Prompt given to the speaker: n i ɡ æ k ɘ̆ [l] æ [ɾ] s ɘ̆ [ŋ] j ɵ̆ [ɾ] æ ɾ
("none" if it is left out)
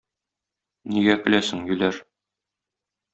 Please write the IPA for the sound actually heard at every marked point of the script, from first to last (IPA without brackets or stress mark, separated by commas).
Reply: l, none, ŋ, l